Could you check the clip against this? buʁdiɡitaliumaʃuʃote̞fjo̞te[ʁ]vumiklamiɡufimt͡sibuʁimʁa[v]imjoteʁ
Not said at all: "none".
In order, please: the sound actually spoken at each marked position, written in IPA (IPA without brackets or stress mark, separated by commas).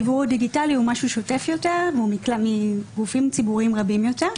ʁ, b